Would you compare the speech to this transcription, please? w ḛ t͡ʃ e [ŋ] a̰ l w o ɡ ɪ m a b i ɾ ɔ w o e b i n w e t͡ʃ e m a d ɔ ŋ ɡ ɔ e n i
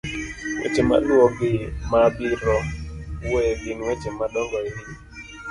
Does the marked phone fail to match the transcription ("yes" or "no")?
yes